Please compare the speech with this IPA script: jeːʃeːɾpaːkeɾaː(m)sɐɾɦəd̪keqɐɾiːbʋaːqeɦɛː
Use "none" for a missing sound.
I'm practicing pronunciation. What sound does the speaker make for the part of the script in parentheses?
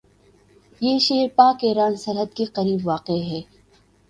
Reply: n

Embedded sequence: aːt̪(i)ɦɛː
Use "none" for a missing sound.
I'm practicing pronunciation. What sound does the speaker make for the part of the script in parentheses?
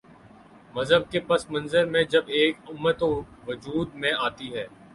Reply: i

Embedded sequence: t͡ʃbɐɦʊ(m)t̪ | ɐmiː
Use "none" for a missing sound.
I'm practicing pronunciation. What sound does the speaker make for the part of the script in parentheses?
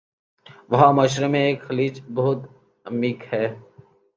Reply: none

